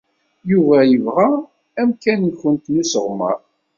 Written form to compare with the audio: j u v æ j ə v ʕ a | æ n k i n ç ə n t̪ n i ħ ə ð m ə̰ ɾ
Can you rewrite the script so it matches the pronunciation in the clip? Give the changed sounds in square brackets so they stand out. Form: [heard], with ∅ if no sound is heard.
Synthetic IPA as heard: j u v æ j ə v [ʁ] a | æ [m] k [æ] n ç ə n t̪ n i [s] ə [ʁ] m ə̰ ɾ

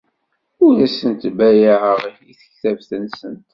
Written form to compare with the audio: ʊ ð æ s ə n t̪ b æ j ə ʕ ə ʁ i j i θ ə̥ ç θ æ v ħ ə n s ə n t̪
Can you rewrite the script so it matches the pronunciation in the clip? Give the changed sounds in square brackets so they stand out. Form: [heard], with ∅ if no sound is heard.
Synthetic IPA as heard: ʊ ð æ s ə n t̪ b æ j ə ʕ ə ʁ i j i θ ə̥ ç θ æ v [θ] ə n s ə n t̪

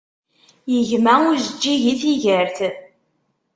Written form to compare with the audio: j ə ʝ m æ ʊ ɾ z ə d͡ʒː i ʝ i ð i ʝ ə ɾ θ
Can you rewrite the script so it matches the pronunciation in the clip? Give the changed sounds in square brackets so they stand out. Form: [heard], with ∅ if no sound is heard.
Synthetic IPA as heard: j ə ʝ m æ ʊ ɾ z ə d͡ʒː i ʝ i [θ] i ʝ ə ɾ θ

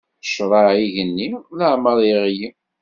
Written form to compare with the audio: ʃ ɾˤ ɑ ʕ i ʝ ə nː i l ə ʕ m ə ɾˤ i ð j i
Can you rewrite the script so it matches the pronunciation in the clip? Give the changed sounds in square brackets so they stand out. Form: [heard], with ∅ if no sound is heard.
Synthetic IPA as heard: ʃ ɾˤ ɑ ʕ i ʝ ə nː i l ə ʕ m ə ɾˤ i [ʁ] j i

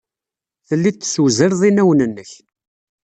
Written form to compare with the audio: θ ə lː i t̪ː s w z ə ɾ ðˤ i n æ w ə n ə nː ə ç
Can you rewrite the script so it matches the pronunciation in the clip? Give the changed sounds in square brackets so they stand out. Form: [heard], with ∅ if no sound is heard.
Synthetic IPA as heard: θ ə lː i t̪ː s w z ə ɾ ðˤ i n æ w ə n ə nː ə ç

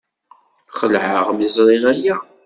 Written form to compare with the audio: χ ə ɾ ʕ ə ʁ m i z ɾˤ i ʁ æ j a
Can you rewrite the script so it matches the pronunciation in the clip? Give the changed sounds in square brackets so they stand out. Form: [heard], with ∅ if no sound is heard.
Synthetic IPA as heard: χ ə [l] ʕ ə ʁ m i z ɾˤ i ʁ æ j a

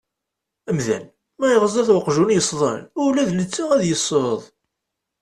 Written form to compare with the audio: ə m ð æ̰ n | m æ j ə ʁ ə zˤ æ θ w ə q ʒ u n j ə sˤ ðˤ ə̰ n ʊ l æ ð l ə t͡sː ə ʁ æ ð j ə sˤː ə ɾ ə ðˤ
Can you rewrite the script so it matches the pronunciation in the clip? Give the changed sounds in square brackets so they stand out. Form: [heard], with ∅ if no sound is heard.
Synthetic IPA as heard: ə m ð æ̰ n | m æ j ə ʁ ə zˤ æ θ w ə q ʒ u n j ə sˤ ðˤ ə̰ n ʊ l æ ð l ə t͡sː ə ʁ æ ð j ə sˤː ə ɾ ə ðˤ

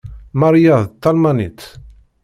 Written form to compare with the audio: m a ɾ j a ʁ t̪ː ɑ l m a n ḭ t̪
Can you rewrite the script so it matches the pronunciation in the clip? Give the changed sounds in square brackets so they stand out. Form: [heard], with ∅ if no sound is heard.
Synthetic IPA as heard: m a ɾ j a [ð] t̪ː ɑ l m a n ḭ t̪

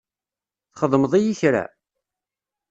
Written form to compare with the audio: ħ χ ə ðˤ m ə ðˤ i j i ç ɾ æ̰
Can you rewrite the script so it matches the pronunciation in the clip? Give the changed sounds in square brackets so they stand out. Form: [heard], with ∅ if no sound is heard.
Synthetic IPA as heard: [θ] χ ə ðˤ m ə ðˤ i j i ç ɾ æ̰

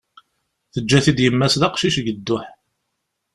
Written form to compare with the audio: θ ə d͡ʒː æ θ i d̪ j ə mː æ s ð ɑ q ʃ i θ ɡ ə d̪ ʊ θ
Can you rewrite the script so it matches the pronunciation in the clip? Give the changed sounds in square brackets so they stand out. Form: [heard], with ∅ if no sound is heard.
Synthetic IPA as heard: θ ə d͡ʒː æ θ i d̪ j ə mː æ s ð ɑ q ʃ i [ʃ] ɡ ə [d̪ː] ʊ [ħ]

